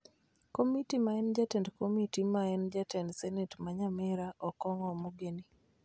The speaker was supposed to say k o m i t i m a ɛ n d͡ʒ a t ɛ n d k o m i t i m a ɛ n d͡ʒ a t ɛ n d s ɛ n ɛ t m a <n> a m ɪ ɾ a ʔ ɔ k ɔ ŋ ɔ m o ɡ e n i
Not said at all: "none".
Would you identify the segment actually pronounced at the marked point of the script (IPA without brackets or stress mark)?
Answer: ɲ